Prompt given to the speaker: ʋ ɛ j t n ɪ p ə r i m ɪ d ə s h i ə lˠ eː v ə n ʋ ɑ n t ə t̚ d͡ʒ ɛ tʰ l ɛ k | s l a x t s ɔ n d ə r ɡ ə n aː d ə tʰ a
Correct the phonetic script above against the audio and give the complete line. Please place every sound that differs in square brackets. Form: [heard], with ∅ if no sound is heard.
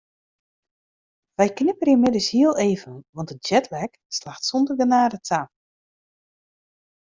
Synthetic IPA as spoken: ʋ ɛ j [k] n ɪ p ə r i m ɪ d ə s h i ə lˠ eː v ə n ʋ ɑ n t ə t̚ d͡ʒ ɛ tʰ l ɛ k | s l a x t s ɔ n d ə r ɡ ə n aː d ə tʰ a